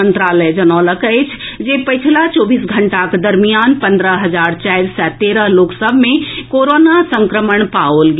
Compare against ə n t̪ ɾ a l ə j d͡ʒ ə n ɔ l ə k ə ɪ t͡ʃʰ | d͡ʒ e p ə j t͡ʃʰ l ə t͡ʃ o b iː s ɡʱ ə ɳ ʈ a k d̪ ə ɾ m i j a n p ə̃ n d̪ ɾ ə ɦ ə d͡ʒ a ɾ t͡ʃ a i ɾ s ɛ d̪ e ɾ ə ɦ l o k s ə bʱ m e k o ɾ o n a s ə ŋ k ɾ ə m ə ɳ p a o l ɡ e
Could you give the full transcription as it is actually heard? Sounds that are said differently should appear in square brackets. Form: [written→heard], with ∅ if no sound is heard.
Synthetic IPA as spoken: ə n t̪ ɾ a l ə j d͡ʒ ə n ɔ l ə k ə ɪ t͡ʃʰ | d͡ʒ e p ə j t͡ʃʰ l [ə→a] t͡ʃ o b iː s ɡʱ ə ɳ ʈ a k d̪ ə ɾ m i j a n p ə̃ n d̪ ɾ ə ɦ ə d͡ʒ a ɾ t͡ʃ a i ɾ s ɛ [d̪→t̪] e ɾ ə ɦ l o k s ə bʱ m e k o ɾ o n a s ə ŋ k ɾ ə m ə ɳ p a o l ɡ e